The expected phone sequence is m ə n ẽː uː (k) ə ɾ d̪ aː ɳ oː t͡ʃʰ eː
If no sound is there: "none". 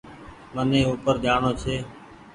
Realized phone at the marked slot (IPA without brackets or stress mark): p